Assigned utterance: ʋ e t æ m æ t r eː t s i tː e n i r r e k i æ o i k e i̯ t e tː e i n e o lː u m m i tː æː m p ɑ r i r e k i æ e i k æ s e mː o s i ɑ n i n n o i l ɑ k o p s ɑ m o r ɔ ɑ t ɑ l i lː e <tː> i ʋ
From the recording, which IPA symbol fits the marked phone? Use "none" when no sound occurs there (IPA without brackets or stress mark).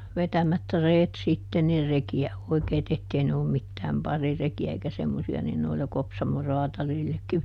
kː